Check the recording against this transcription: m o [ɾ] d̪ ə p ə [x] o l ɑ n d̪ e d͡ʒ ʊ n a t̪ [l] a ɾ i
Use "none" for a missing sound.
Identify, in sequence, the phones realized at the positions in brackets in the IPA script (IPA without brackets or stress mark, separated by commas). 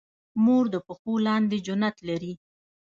ɾ, x, l